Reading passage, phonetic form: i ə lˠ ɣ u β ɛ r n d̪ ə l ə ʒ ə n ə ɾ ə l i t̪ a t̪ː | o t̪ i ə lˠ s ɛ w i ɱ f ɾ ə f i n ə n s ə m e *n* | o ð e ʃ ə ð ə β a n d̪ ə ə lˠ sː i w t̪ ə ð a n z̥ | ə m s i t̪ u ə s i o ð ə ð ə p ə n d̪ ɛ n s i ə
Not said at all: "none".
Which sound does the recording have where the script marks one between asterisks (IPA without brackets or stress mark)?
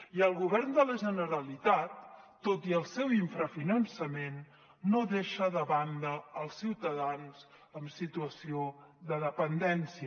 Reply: nː